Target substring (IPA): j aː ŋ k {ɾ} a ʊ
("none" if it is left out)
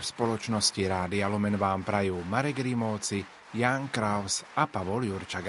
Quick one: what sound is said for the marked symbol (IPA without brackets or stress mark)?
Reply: ɾ